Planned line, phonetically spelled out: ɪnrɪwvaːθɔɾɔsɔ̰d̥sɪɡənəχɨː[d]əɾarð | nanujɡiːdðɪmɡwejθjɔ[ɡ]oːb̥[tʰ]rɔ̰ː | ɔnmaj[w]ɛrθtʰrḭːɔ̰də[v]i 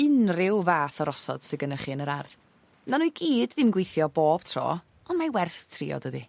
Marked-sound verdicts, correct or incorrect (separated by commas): incorrect, incorrect, correct, correct, incorrect